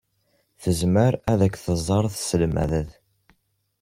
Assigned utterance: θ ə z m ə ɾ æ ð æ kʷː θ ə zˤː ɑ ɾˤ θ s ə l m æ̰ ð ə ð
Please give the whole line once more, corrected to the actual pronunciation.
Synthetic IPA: θ ə z m ə ɾ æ ð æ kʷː θ ə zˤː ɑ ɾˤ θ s ə l m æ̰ ð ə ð